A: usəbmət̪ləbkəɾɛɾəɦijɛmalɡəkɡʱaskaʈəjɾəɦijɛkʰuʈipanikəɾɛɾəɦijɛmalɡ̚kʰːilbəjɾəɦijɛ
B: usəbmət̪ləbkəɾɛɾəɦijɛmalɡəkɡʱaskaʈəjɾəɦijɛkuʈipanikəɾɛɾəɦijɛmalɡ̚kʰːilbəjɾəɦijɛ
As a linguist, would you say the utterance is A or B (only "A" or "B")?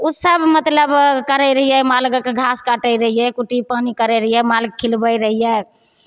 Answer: B